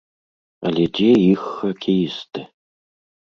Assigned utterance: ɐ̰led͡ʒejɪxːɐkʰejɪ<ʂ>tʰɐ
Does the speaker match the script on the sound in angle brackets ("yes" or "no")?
no